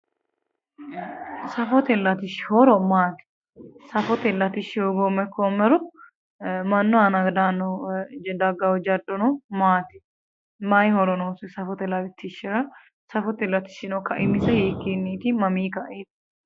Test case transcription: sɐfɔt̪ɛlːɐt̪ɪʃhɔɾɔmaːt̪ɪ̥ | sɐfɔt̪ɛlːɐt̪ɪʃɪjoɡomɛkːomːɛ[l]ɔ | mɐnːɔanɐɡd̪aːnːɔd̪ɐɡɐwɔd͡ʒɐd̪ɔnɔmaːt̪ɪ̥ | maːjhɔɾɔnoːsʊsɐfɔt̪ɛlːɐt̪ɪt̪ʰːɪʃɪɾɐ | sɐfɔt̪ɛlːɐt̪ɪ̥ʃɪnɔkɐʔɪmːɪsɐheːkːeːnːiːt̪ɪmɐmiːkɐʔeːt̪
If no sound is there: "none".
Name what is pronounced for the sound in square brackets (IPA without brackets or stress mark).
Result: ɾ